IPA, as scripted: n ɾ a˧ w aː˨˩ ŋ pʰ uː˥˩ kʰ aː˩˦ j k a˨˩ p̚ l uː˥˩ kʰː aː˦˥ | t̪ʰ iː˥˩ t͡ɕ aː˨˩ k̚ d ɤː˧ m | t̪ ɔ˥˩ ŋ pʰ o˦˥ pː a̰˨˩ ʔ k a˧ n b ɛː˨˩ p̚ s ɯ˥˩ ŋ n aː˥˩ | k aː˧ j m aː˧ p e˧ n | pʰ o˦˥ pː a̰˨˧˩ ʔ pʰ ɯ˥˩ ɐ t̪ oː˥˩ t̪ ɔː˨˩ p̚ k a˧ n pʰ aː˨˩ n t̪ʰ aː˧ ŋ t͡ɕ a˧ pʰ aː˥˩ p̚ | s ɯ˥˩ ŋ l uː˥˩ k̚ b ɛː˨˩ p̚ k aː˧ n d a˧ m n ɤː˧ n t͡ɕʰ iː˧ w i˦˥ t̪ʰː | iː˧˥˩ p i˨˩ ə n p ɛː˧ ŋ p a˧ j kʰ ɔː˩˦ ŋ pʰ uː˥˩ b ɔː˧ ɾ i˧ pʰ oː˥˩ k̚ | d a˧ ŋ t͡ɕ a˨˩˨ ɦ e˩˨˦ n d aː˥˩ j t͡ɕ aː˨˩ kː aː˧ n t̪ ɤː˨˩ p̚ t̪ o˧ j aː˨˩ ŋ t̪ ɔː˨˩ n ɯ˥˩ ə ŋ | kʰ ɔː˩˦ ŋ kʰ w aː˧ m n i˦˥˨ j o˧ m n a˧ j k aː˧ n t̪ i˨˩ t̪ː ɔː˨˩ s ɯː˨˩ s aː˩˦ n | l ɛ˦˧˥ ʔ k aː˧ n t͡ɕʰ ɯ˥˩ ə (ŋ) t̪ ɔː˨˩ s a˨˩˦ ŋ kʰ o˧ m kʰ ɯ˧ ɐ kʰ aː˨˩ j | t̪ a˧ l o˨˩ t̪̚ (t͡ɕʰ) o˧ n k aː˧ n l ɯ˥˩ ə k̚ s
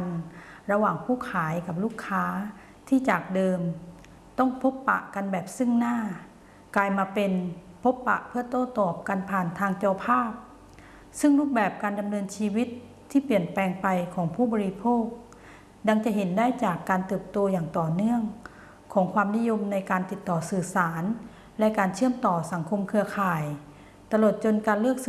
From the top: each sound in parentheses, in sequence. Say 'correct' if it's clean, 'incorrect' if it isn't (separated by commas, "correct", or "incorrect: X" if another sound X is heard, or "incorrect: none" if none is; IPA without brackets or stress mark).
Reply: incorrect: m, incorrect: t͡ɕ